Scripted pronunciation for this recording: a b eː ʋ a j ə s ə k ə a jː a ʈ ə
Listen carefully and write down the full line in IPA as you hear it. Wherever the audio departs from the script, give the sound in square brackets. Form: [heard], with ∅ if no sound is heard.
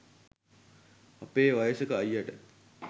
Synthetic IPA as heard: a [p] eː ʋ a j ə s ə k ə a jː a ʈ ə